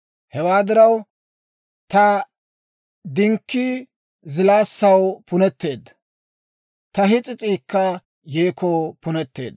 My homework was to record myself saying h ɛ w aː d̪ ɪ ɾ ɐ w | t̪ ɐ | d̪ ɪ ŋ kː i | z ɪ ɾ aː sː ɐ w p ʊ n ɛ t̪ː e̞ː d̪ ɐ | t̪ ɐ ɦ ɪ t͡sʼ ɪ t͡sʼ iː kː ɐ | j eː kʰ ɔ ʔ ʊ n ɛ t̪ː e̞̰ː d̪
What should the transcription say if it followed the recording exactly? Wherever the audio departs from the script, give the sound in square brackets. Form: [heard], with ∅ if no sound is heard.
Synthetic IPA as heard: h ɛ w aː d̪ ɪ ɾ ɐ w | t̪ ɐ | d̪ ɪ ŋ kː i | z ɪ [l] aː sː ɐ w p ʊ n ɛ t̪ː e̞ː d̪ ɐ | t̪ ɐ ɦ ɪ t͡sʼ ɪ t͡sʼ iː kː ɐ | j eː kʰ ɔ [p] ʊ n ɛ t̪ː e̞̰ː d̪